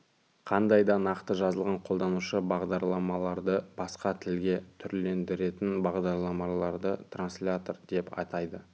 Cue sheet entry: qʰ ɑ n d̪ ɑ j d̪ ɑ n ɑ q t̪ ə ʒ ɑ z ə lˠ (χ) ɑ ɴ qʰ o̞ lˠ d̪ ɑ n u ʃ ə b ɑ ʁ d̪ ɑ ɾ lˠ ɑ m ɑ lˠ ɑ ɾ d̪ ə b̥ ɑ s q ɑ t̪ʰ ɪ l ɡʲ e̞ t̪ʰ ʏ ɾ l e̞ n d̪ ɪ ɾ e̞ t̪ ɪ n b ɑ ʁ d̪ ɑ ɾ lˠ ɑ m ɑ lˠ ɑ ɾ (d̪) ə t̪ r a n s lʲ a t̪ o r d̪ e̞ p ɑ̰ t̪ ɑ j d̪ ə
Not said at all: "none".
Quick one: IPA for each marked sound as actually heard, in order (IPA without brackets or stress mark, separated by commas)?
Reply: ʁ, d̪